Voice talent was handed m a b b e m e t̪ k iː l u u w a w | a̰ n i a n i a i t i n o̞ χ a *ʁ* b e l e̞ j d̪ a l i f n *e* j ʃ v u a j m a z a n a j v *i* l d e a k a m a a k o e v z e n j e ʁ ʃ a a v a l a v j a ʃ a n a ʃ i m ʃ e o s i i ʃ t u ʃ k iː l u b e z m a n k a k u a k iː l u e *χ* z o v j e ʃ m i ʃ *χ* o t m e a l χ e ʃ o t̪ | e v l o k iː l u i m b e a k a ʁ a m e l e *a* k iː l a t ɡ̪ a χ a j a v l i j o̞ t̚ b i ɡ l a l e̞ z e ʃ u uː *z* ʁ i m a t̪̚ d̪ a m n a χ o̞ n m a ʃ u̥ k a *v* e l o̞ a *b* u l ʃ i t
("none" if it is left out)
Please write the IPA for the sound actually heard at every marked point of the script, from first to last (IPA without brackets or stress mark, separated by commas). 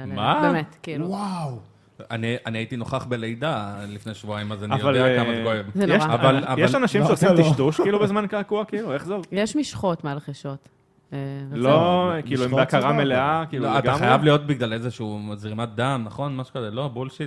χ, e, a, χ, χ, a, z, z, b